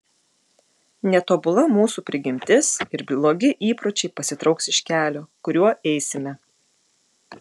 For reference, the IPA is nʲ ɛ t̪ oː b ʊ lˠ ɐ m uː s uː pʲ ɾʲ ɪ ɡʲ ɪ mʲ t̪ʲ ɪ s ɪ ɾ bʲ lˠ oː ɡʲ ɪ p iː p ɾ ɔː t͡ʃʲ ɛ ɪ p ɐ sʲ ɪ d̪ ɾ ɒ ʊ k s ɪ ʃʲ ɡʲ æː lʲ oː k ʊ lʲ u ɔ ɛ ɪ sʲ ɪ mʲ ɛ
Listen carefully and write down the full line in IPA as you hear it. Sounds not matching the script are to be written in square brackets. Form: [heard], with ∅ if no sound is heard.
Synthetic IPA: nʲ ɛ t̪ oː b ʊ lˠ ɐ m uː s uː pʲ ɾʲ ɪ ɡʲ ɪ mʲ t̪ʲ ɪ s ɪ ɾ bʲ lˠ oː ɡʲ ɪ [ʔ] iː p ɾ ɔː t͡ʃʲ ɛ ɪ p ɐ sʲ ɪ [t̪] ɾ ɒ ʊ k s ɪ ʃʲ [kʲ] æː lʲ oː k ʊ [ɾʲ] u ɔ ɛ ɪ sʲ ɪ mʲ ɛ

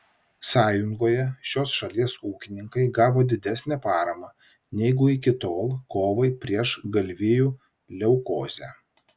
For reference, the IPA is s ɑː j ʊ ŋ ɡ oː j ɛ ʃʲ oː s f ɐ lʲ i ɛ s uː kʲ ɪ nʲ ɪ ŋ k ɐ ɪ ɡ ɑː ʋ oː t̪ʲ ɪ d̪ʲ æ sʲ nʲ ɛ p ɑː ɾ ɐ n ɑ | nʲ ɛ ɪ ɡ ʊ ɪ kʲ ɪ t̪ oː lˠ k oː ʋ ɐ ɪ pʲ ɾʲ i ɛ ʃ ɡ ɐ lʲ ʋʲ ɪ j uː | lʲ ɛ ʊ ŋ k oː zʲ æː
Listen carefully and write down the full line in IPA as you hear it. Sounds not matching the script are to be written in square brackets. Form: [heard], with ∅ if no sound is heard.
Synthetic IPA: s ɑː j ʊ ŋ ɡ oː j ɛ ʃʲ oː s [ʃ] ɐ lʲ i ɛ s uː kʲ ɪ nʲ ɪ ŋ k ɐ ɪ ɡ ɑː ʋ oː [d̪ʲ] ɪ d̪ʲ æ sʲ nʲ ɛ p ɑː ɾ ɐ [m] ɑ | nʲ ɛ ɪ ɡ ʊ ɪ kʲ ɪ t̪ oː lˠ k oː ʋ ɐ ɪ pʲ ɾʲ i ɛ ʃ ɡ ɐ lʲ ʋʲ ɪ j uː | lʲ ɛ ʊ [∅] k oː zʲ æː

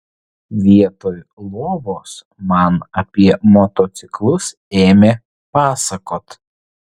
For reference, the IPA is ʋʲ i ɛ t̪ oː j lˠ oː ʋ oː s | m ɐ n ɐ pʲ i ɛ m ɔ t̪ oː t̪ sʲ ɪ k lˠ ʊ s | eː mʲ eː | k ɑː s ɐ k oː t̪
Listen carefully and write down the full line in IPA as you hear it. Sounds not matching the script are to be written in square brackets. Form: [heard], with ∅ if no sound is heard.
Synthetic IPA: ʋʲ i ɛ t̪ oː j lˠ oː ʋ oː s | m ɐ n ɐ pʲ i ɛ m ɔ t̪ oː t̪ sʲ ɪ k lˠ ʊ s | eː mʲ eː | [p] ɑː s ɐ k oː t̪

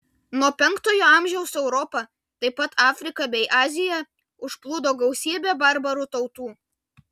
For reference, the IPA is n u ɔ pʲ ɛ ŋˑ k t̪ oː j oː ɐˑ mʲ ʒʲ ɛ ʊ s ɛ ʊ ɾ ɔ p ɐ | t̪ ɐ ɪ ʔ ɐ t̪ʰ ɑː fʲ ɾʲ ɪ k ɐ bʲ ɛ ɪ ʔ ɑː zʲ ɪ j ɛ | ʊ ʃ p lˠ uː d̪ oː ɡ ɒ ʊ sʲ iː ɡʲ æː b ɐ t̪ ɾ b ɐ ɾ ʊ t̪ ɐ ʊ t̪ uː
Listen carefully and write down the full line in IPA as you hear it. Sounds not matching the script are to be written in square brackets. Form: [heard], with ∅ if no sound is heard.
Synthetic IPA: n u ɔ pʲ ɛ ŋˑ k t̪ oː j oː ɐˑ mʲ ʒʲ ɛ ʊ s ɛ ʊ ɾ ɔ p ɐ | t̪ ɐ ɪ [p] ɐ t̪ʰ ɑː fʲ ɾʲ ɪ k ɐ bʲ ɛ ɪ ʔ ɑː zʲ ɪ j ɛ | ʊ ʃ p lˠ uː d̪ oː ɡ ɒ ʊ sʲ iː [bʲ] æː b ɐ [∅] ɾ b ɐ ɾ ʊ t̪ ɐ ʊ t̪ uː

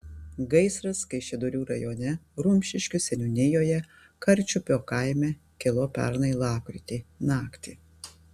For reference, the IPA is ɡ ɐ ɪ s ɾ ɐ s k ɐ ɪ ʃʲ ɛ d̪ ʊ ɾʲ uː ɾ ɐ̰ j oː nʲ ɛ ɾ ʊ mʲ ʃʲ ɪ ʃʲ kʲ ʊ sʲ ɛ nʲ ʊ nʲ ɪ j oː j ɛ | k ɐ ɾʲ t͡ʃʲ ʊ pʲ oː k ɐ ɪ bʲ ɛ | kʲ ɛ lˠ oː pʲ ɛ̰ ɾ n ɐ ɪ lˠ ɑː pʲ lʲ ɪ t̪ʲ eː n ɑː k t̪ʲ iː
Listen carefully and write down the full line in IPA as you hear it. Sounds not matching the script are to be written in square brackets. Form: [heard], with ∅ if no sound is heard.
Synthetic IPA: ɡ ɐ ɪ s ɾ ɐ s k ɐ ɪ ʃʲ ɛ d̪ ʊ ɾʲ uː ɾ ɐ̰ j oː nʲ ɛ ɾ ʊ mʲ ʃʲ ɪ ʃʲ kʲ ʊ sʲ ɛ nʲ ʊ nʲ ɪ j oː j ɛ | k ɐ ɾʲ t͡ʃʲ ʊ pʲ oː k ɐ ɪ [mʲ] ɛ | kʲ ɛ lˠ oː pʲ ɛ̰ ɾ n ɐ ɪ lˠ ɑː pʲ [ɾʲ] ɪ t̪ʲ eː n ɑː k t̪ʲ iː

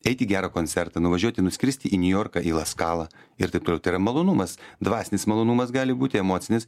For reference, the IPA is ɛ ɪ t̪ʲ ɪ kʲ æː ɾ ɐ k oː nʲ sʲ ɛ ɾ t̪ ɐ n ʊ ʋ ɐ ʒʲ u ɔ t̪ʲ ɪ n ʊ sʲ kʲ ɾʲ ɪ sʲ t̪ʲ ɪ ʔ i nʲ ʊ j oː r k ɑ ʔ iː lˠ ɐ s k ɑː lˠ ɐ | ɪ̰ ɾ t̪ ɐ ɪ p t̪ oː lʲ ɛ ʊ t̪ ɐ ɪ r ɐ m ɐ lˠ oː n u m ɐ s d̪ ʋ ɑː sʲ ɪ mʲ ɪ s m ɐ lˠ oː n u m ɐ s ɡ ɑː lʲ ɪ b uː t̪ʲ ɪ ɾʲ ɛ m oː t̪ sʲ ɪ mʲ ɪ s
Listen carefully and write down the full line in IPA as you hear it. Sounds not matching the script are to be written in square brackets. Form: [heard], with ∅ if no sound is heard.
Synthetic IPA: ɛ ɪ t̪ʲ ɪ [ɡʲ] æː ɾ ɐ k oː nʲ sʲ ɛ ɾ t̪ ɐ n ʊ ʋ ɐ ʒʲ u ɔ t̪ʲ ɪ n ʊ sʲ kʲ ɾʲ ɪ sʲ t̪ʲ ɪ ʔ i nʲ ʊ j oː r k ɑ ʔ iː lˠ ɐ s k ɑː lˠ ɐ | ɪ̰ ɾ t̪ ɐ ɪ p t̪ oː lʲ ɛ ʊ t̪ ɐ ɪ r ɐ m ɐ lˠ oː n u m ɐ s d̪ ʋ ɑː sʲ ɪ [nʲ] ɪ s m ɐ lˠ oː n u m ɐ s ɡ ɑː lʲ ɪ b uː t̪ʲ ɪ [∅] ɛ m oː t̪ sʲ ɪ [nʲ] ɪ s

